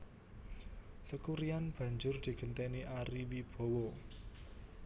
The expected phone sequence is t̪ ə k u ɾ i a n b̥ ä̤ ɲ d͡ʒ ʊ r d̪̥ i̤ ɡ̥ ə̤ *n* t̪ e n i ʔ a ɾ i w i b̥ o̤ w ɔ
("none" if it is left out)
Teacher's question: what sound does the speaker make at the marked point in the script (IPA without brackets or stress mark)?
n